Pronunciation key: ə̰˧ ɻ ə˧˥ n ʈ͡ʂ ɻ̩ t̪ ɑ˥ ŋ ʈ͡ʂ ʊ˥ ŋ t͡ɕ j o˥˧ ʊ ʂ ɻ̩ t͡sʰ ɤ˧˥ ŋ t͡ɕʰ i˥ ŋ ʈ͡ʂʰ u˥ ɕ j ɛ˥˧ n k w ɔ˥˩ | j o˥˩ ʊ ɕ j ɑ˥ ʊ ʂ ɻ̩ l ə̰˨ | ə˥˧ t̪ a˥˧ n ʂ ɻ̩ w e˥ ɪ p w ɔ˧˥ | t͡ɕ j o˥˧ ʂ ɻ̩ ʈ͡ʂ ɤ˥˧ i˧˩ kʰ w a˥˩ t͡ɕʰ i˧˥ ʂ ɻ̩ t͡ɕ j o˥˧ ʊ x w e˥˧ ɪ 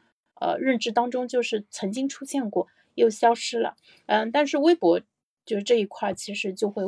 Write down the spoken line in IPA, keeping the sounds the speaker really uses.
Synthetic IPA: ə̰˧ ɻ ə˥˩ n ʈ͡ʂ ɻ̩ t̪ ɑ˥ ŋ ʈ͡ʂ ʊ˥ ŋ t͡ɕ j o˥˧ ʊ ʂ ɻ̩ t͡sʰ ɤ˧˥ ŋ t͡ɕ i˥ ŋ ʈ͡ʂʰ u˥ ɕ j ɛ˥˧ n k w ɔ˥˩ | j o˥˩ ʊ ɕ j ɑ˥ ʊ ʂ ɻ̩ l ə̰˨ | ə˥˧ t̪ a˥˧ n ʂ ɻ̩ w e˥ ɪ p w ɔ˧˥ | t͡ɕ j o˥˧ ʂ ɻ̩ ʈ͡ʂ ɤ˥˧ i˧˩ kʰ w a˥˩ t͡ɕʰ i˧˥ ʂ ɻ̩ t͡ɕ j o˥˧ ʊ x w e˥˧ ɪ